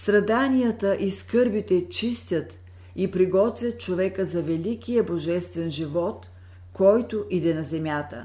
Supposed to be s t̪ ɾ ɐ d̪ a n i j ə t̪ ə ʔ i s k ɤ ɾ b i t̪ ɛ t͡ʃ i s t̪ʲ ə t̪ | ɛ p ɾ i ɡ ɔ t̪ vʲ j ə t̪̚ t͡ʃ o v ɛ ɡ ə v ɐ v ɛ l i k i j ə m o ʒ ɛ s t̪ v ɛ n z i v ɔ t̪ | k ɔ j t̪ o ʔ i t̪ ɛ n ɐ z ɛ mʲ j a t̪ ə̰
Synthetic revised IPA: s t̪ ɾ ɐ d̪ a n i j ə t̪ ə ʔ i s k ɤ ɾ b i t̪ ɛ t͡ʃ i s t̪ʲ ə t̪ | i p ɾ i ɡ ɔ t̪ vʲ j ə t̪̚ t͡ʃ o v ɛ k ə z ɐ v ɛ l i k i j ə b o ʒ ɛ s t̪ v ɛ n ʒ i v ɔ t̪ | k ɔ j t̪ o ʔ i d̪ ɛ n ɐ z ɛ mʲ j a t̪ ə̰